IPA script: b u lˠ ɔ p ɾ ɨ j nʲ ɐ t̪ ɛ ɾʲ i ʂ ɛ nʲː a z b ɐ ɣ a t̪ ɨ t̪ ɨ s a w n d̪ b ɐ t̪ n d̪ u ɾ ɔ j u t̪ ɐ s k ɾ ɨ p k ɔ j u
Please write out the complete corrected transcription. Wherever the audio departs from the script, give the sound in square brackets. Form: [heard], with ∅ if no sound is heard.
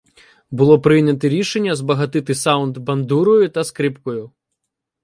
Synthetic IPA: b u lˠ ɔ p ɾ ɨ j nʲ ɐ t̪ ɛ ɾʲ i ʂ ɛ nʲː [ɐ] z b ɐ ɣ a t̪ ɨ t̪ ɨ s a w n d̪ b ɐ [∅] n d̪ u ɾ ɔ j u t̪ ɐ s k ɾ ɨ p k ɔ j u